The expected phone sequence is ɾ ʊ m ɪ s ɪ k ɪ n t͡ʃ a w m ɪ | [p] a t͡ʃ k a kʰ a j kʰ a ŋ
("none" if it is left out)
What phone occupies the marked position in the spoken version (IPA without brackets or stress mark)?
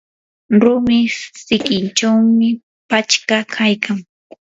p